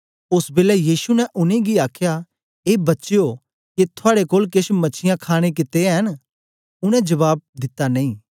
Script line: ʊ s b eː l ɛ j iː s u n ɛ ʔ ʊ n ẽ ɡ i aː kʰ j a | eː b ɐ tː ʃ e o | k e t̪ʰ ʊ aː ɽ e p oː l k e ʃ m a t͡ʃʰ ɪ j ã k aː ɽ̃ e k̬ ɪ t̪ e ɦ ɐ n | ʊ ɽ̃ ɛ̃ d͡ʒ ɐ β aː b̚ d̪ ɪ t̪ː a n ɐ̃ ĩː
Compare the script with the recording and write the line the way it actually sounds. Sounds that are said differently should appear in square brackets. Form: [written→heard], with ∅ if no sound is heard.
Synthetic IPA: ʊ s b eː l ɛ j iː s u n ɛ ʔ ʊ n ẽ ɡ i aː kʰ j a | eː b ɐ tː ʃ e o | k e t̪ʰ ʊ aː ɽ e [p→k] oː l k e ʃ m [a→ɐ] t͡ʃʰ ɪ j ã [k→kʰ] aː ɽ̃ e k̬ ɪ t̪ e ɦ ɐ n | ʊ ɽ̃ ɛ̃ d͡ʒ ɐ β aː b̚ d̪ ɪ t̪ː a n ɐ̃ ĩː